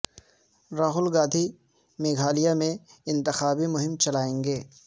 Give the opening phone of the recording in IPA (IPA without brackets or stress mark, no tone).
ɾ